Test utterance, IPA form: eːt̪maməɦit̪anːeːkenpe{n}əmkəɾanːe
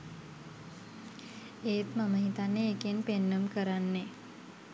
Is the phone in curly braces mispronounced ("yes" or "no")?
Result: yes